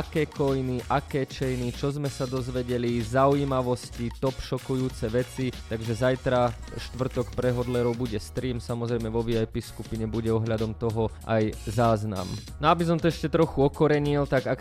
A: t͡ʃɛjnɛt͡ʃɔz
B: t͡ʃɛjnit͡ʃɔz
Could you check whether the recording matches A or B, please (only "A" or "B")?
B